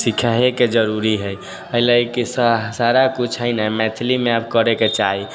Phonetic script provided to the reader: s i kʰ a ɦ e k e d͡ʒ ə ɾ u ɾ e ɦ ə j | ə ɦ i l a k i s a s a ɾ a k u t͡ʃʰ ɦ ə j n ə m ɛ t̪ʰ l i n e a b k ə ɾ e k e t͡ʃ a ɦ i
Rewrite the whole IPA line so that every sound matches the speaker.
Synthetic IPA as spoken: s i kʰ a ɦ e k e d͡ʒ ə ɾ u ɾ i ɦ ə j | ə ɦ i l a k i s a s a ɾ a k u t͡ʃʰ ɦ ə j n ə m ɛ t̪ʰ l i m e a b k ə ɾ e k e t͡ʃ a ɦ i

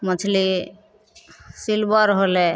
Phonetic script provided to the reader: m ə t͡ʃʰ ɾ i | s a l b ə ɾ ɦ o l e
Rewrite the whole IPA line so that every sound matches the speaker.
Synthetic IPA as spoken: m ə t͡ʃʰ l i | s i l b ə ɾ ɦ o l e

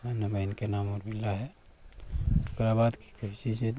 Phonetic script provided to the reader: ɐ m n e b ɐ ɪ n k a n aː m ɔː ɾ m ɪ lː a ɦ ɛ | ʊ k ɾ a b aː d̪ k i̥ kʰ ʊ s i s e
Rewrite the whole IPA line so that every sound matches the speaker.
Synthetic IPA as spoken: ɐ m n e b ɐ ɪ n k e n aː m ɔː ɾ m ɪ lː a ɦ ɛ | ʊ k ɾ a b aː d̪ k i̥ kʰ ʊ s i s e

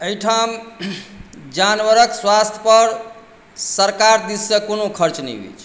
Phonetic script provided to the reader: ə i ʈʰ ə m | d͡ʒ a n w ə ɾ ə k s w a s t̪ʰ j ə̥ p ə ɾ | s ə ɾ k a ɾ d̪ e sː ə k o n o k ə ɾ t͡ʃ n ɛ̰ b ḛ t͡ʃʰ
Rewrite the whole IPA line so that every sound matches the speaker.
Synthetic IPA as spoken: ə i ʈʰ a m | d͡ʒ a n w ə ɾ ə k s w a s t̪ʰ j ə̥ p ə ɾ | s ə ɾ k a ɾ d̪ i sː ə k o n o kʰ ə ɾ t͡ʃ n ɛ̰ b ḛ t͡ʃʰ

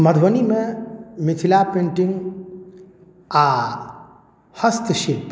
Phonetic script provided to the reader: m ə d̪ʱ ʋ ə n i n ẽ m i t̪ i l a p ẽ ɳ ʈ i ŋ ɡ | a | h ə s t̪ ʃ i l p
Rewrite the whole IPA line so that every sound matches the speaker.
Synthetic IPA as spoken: m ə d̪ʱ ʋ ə n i m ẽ m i t̪ʰ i l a p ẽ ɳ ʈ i ŋ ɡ | a | h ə s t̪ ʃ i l p

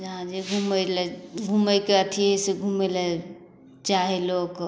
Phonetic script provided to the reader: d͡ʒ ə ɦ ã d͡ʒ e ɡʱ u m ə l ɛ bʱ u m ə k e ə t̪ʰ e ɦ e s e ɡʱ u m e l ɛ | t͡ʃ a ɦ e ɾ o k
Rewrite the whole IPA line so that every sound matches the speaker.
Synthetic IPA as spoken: d͡ʒ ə ɦ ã d͡ʒ e ɡʱ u m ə l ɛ ɡʱ u m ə k e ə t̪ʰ i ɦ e s e ɡʱ u m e l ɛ | t͡ʃ a ɦ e l o k

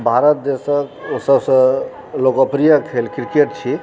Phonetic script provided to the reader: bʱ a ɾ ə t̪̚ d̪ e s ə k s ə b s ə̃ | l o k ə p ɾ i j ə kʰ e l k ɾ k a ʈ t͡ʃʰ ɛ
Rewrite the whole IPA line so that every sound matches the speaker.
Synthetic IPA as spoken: bʱ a ɾ ə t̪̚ d̪ e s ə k s ə b s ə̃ | l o k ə p ɾ i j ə kʰ e l k ɾ k e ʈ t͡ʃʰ i

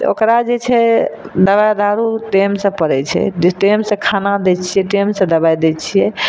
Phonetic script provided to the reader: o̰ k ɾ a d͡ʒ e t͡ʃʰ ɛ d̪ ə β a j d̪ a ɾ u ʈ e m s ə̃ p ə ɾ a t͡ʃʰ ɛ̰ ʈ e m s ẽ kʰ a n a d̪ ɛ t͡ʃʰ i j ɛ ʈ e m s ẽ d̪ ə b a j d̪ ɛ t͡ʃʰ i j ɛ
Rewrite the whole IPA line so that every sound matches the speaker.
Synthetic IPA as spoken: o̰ k ɾ a d͡ʒ e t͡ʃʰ ɛ d̪ ə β a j d̪ a ɾ u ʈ e m s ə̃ p ə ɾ ɛ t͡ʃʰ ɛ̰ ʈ e m s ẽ kʰ a n a d̪ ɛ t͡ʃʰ i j ɛ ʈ e m s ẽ d̪ ə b a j d̪ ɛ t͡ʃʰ i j ɛ

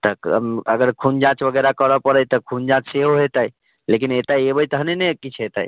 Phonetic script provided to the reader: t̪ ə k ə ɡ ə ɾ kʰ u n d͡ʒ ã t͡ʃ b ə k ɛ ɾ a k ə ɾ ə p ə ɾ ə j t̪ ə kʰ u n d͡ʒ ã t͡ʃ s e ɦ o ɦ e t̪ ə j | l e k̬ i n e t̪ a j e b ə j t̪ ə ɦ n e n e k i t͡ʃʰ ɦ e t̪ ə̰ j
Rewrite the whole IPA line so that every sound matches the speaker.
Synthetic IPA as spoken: t̪ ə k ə ɡ ə ɾ kʰ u n d͡ʒ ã t͡ʃ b ə ɡ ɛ ɾ a k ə ɾ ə p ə ɾ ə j t̪ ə kʰ u n d͡ʒ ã t͡ʃ s e ɦ o ɦ e t̪ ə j | l e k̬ i n e t̪ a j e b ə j t̪ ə ɦ n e n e k i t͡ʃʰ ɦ e t̪ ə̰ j

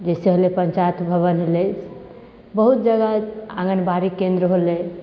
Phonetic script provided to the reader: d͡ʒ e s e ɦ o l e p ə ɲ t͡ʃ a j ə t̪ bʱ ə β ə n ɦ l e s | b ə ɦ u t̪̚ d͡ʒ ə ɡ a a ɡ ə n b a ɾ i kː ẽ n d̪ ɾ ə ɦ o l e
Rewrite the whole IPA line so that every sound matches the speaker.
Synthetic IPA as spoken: d͡ʒ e s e ɦ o l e p ə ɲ t͡ʃ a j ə t̪ bʱ ə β ə n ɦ l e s | b ə ɦ u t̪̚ d͡ʒ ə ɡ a a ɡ ə n b a ɾ i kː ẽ n d̪ ɾ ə ɦ o l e

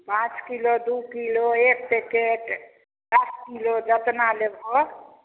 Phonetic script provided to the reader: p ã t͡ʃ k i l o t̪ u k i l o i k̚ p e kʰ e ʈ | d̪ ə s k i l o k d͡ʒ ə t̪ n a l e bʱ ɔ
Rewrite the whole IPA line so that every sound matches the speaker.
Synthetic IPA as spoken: p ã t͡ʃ k i l o d̪ u k i l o e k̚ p e k e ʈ | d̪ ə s k i l o d͡ʒ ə t̪ n a l e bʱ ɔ

